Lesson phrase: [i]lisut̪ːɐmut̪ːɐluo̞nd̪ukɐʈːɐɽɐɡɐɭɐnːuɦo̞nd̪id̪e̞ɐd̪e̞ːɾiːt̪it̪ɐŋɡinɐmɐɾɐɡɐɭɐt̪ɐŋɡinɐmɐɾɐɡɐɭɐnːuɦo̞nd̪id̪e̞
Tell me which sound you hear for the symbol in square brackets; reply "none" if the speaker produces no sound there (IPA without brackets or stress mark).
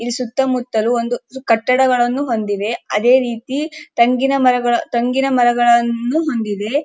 i